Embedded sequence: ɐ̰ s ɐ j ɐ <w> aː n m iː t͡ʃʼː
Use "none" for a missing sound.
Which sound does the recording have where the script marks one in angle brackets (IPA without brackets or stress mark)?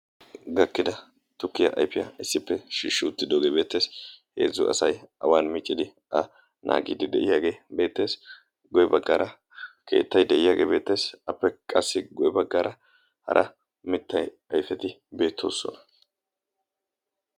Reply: w